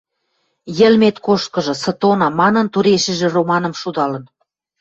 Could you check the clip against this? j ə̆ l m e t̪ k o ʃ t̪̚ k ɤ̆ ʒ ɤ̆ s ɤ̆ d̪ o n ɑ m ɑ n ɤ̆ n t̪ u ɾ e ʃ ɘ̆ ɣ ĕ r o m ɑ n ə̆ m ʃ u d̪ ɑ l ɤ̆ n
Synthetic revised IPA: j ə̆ l m e t̪ k o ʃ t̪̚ k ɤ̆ ʒ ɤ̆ s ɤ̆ t̪ o n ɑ m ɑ n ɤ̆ n t̪ u ɾ e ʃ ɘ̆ ʒ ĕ r o m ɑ n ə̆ m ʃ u d̪ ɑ l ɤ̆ n